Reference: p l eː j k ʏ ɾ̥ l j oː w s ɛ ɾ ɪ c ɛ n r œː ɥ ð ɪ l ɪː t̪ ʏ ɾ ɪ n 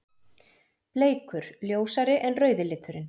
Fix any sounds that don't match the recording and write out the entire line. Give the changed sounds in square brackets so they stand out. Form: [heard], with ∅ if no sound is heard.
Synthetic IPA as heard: p l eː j k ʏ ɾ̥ l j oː w s [a] ɾ ɪ [ʔ] ɛ n r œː ɥ ð ɪ l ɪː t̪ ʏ ɾ ɪ n